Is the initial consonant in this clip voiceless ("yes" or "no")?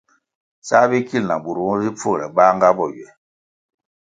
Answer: yes